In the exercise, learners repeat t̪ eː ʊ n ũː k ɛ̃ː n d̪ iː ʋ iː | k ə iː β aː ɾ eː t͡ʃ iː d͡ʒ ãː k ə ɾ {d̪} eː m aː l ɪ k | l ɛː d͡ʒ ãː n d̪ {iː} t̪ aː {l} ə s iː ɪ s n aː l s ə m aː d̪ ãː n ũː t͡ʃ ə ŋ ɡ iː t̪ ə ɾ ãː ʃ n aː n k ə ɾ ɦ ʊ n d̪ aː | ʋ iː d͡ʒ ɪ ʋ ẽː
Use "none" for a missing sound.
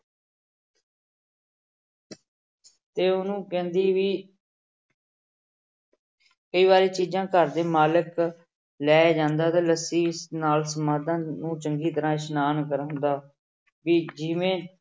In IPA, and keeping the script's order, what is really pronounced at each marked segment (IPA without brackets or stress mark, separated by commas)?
d̪, aː, l